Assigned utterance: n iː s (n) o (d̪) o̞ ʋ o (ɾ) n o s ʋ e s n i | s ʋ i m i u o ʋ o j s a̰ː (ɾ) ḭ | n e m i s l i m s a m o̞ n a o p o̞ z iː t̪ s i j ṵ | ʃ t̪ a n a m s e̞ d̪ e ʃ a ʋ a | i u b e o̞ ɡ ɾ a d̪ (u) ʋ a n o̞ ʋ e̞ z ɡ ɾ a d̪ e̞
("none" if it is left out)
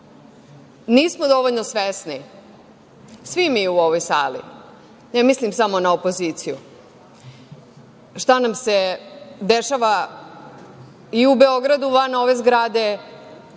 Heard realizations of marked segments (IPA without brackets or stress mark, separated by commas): m, d̪, ʎ, l, u